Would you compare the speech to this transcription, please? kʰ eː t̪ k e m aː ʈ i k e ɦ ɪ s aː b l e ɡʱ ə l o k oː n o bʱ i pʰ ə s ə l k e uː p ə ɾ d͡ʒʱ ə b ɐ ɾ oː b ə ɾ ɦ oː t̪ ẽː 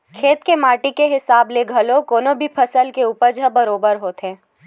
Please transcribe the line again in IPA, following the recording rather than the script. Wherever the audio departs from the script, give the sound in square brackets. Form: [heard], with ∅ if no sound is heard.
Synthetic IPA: kʰ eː t̪ k e m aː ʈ i k e ɦ ɪ s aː b l e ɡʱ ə l o k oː n o bʱ i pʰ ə s ə l k e uː p ə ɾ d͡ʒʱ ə b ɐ ɾ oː b ə ɾ ɦ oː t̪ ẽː